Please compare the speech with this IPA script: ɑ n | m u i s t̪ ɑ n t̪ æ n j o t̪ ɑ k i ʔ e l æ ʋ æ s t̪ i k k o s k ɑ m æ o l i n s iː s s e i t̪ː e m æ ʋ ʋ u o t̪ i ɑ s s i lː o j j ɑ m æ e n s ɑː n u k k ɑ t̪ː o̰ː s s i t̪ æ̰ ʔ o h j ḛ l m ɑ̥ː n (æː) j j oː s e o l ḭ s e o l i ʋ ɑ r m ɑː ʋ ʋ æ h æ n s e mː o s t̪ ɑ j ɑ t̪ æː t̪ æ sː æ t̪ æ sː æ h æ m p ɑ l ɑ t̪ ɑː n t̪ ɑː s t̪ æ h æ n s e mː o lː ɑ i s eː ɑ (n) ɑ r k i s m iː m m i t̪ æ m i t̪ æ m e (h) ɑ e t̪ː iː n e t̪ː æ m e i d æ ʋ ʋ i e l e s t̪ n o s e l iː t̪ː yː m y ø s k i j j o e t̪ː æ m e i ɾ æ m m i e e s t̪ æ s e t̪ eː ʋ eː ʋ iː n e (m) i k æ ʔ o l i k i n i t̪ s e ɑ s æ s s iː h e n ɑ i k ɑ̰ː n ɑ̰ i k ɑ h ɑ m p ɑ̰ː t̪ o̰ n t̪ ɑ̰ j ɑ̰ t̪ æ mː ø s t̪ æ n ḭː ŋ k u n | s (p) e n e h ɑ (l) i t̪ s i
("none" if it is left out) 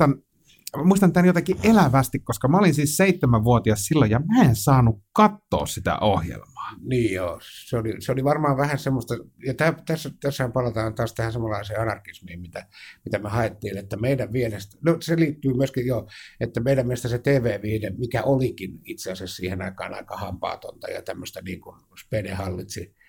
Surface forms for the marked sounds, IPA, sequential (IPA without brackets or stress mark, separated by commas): iː, n, h, m, p, lː